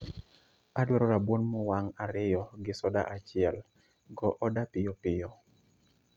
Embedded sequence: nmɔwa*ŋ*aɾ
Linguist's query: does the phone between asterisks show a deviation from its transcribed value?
no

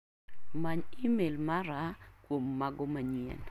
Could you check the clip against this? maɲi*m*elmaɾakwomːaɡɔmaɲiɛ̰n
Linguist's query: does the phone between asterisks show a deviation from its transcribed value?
no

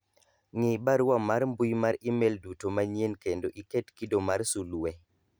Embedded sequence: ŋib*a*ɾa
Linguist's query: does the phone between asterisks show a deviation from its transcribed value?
no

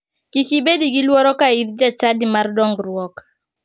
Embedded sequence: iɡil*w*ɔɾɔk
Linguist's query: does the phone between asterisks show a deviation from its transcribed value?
no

